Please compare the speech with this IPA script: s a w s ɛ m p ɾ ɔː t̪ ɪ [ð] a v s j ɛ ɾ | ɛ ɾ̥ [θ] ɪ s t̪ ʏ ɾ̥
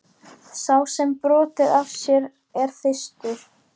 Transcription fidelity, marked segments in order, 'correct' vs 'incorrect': correct, correct

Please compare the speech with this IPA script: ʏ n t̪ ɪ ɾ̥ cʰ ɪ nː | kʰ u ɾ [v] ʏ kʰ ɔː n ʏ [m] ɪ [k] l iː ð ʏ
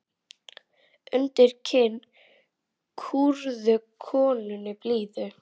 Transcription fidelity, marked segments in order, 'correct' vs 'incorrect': incorrect: ð, incorrect: n, incorrect: p

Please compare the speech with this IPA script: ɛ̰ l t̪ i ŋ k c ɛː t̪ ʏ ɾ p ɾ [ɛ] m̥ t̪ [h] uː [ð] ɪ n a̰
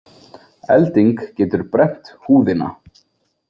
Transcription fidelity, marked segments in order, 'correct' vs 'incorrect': correct, correct, correct

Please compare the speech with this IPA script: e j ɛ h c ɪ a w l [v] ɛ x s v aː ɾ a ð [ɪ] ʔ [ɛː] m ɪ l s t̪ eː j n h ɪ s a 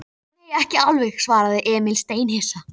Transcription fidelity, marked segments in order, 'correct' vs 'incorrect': correct, correct, correct

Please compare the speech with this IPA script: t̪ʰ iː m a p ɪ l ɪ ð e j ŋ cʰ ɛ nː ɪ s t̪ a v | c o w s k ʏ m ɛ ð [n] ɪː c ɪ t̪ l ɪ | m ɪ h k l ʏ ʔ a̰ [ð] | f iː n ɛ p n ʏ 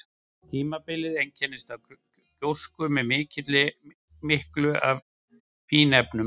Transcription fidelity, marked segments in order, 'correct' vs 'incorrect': incorrect: m, incorrect: v

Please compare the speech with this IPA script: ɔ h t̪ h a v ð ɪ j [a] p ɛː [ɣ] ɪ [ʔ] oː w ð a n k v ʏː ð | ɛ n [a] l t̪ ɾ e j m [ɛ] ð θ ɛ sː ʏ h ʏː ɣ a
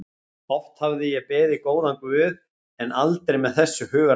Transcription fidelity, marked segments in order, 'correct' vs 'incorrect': incorrect: ɛ, incorrect: ð, incorrect: k, correct, correct

